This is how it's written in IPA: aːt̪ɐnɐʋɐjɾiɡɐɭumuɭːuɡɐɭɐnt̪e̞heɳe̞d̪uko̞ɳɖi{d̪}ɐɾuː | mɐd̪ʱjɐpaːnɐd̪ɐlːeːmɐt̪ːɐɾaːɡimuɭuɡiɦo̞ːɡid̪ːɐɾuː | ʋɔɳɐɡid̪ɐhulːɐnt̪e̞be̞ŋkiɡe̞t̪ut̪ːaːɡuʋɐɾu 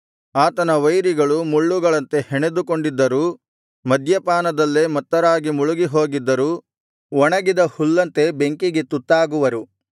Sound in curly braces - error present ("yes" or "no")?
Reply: yes